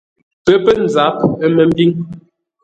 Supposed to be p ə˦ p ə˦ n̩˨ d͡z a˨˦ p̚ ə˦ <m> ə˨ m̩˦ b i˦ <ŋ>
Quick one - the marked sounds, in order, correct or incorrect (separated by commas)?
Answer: correct, correct